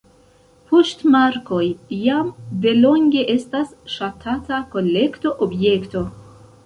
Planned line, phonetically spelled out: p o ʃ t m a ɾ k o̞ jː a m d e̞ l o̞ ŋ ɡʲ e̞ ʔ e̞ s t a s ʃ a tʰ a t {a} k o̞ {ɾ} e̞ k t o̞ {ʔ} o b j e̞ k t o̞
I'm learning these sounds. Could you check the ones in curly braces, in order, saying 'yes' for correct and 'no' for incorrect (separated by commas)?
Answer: yes, no, yes